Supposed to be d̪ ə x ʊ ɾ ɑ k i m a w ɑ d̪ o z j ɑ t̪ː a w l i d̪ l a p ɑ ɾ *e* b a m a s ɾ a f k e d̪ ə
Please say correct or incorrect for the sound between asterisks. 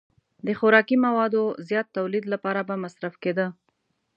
incorrect